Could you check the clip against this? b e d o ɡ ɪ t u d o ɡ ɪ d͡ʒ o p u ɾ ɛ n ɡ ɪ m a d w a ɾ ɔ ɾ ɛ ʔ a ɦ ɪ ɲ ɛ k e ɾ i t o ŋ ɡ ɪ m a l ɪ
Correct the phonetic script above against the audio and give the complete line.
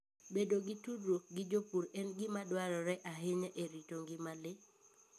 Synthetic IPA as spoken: b e d o ɡ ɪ t u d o ɡ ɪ d͡ʒ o p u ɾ ɛ n ɡ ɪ m a d w a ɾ ɔ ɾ ɛ ʔ a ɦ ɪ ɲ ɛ ʔ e ɾ i t o ŋ ɡ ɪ m a l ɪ